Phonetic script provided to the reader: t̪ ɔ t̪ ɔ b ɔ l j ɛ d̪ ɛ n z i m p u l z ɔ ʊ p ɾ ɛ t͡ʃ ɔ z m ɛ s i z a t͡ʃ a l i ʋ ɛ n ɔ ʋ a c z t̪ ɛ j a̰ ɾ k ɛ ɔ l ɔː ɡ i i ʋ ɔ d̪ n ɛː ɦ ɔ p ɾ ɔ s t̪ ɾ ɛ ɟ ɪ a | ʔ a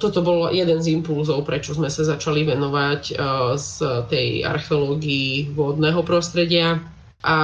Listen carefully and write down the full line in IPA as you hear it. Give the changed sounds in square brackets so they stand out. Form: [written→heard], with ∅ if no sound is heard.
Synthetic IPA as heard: t̪ ɔ t̪ ɔ b ɔ l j ɛ d̪ ɛ n z i m p u l z ɔ ʊ p ɾ ɛ t͡ʃ ɔ z m ɛ s [i→a] z a t͡ʃ a l i ʋ ɛ n ɔ ʋ a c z t̪ ɛ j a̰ ɾ [k→x] ɛ ɔ l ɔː ɡ i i ʋ ɔ d̪ n ɛː ɦ ɔ p ɾ ɔ s t̪ ɾ ɛ ɟ ɪ a | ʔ a